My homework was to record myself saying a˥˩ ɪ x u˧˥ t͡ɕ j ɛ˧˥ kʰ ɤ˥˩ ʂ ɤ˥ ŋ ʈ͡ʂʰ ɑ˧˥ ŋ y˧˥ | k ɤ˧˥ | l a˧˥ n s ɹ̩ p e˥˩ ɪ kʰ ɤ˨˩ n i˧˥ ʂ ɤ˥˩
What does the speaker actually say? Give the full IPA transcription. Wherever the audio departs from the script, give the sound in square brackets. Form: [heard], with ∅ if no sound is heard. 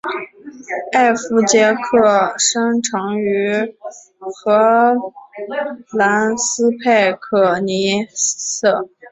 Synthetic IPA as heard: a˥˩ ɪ [f] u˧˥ t͡ɕ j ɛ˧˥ kʰ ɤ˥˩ ʂ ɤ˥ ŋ ʈ͡ʂʰ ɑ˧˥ ŋ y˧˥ | [x] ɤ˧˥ | l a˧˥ n s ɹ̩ [pʰ] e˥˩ ɪ kʰ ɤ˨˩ n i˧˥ [s] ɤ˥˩